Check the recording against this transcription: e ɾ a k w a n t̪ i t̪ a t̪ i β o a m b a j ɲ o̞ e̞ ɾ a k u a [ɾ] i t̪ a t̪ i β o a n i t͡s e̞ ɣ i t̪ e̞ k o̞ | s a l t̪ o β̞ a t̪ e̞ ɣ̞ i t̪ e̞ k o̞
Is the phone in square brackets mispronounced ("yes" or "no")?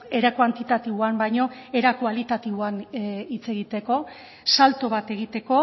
yes